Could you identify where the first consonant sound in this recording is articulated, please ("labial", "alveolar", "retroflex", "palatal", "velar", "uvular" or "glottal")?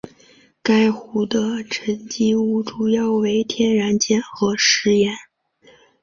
velar